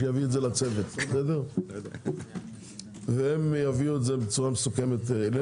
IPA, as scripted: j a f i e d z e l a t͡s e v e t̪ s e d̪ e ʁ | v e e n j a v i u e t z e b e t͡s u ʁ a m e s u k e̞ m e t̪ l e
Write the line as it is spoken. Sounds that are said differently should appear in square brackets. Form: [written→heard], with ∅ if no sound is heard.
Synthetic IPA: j a [f→v] i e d z e l a t͡s e v e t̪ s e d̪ e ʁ | v e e [n→m] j a v i u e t z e b e t͡s u ʁ a m e s u k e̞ m e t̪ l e

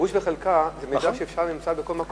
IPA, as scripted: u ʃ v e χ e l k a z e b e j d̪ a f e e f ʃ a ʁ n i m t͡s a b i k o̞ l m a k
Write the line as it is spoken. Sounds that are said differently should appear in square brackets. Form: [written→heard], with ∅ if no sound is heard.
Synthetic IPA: u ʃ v e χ e l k a z e [b→m] e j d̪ a [f→ʃ] e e f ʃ a ʁ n i m t͡s a b [i→e] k o̞ l m a k

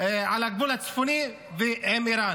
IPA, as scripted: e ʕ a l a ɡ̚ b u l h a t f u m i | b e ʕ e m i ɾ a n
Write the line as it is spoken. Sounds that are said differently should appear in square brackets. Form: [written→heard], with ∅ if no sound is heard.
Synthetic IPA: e ʕ a l a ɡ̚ b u l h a [t→t͡s] f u [m→n] i | [b→v] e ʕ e m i ɾ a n

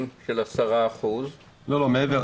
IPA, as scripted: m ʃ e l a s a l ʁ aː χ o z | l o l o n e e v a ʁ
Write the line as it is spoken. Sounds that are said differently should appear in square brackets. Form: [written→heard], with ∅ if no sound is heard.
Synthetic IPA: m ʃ e l a s a [l→∅] ʁ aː χ [o→u] z | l o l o [n→m] e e v [a→e] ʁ

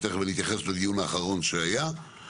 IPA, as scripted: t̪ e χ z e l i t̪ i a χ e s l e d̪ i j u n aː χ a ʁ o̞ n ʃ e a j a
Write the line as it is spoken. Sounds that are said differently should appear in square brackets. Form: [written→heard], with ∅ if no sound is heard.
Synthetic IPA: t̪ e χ [z→v] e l i t̪ [i→j] a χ e s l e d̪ i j u n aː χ a ʁ o̞ n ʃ e a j a

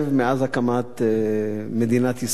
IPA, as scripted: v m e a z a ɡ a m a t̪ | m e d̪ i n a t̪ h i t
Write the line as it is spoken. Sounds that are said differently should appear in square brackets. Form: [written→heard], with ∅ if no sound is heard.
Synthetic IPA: v m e a z a [ɡ→k] a m a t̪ | m e d̪ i n a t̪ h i [t→s]

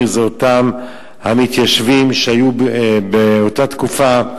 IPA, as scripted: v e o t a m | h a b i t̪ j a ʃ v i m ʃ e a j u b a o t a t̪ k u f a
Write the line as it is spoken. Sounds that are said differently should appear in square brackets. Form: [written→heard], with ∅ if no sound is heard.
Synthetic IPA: [v→z] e o t a m | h a [b→m] i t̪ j a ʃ v i m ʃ e a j u b [a→e] o t a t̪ k u f a

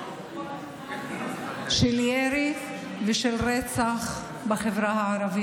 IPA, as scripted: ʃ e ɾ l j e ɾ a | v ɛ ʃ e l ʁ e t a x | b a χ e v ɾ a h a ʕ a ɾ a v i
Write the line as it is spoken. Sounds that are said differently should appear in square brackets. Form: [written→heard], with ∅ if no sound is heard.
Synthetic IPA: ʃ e [ɾ→∅] l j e ɾ [a→i] | v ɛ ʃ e l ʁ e [t→t͡s] a [x→χ] | b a χ e v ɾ a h a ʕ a ɾ a v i

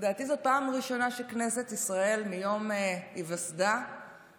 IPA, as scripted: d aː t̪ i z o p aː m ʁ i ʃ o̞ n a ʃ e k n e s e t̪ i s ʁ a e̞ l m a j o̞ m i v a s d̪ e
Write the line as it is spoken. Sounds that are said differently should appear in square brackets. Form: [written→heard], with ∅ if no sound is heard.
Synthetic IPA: d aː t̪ i z o p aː m ʁ i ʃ o̞ n a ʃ e k n e s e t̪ i s ʁ a e̞ l m [a→i] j o̞ m i v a s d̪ [e→a]

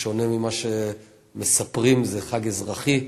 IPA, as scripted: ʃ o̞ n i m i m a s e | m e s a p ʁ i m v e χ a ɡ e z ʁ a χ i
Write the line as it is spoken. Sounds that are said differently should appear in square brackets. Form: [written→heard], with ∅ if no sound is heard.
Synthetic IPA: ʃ o̞ n [i→e] m i m a [s→ʃ] e | m e s a p ʁ i m [v→z] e χ a ɡ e z ʁ a χ i

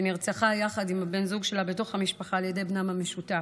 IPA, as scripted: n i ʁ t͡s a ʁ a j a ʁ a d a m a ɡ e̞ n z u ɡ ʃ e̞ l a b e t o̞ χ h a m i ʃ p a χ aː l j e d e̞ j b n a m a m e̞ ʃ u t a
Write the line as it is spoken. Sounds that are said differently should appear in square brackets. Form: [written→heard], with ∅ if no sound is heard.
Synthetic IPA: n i ʁ t͡s a [ʁ→χ] a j a [ʁ→χ] a d [a→i] m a [ɡ→b] e̞ n z u ɡ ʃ e̞ l a b e t o̞ χ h a m i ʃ p a χ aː l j e d e̞ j b n a m a m e̞ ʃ u t a

